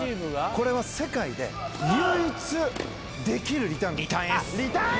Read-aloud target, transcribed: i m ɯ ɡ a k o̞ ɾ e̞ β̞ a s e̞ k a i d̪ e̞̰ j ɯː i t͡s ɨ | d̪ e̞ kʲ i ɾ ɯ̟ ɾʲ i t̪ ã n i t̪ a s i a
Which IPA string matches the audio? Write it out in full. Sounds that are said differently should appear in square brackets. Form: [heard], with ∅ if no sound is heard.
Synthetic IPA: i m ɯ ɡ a k o̞ ɾ e̞ β̞ a s e̞ k a i d̪ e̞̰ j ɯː i t͡s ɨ | d̪ e̞ kʲ i ɾ ɯ̟ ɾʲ i t̪ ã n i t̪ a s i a